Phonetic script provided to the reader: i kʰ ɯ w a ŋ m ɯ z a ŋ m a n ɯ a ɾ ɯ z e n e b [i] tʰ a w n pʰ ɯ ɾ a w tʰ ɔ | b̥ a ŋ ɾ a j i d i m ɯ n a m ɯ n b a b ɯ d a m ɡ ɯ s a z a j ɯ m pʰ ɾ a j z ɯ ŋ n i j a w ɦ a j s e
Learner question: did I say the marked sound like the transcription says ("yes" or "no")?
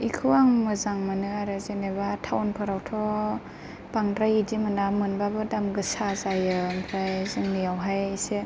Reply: no